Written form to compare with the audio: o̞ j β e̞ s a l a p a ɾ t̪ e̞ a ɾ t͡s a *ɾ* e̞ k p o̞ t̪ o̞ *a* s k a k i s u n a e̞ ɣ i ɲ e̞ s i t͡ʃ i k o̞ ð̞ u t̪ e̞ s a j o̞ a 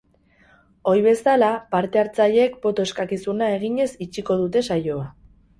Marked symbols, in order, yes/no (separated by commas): no, no